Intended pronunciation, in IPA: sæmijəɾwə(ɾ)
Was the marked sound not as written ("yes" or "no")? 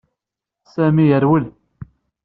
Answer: yes